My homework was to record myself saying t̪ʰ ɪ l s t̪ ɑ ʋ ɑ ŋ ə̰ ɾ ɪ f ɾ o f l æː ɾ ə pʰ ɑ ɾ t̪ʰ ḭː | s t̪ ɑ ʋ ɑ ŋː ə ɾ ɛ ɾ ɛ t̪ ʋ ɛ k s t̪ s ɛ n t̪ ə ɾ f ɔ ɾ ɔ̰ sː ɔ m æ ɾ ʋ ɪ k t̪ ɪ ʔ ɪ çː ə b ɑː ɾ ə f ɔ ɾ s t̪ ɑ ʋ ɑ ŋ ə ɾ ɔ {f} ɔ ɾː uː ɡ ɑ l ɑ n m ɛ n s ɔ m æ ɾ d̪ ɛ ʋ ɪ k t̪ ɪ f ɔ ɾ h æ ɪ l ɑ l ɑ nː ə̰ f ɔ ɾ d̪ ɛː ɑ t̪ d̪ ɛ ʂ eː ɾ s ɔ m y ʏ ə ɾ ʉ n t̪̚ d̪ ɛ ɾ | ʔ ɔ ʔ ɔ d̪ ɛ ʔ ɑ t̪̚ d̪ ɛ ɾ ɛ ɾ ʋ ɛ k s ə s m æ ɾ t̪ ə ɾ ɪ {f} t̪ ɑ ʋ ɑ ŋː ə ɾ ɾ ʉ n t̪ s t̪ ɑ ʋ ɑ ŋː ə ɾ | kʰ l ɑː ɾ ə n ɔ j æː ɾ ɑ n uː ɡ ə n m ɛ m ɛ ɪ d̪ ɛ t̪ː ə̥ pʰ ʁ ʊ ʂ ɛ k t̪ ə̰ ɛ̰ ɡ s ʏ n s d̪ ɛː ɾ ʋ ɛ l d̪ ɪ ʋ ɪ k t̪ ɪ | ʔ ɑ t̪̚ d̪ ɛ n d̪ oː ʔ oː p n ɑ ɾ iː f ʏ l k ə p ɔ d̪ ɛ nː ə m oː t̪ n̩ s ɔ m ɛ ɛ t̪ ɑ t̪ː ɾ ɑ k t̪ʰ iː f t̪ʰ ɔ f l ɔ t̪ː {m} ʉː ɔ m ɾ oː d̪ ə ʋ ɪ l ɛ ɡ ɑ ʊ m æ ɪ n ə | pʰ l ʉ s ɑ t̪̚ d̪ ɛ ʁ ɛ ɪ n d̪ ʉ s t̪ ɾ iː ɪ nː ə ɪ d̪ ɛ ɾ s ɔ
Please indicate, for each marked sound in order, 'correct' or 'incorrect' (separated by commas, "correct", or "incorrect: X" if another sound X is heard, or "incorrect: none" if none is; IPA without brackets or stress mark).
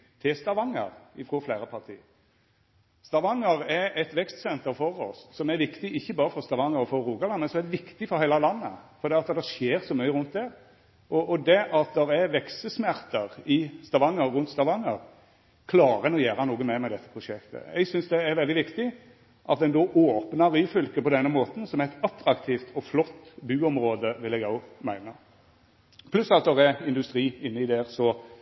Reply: correct, incorrect: s, incorrect: b